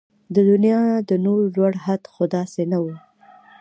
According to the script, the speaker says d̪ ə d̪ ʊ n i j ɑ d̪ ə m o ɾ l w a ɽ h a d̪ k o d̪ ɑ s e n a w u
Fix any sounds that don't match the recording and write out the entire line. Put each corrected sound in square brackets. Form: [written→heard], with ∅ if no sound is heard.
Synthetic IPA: d̪ ə d̪ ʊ n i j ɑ d̪ ə [m→n] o ɾ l w a ɽ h a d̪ [k→x] o d̪ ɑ s e n a w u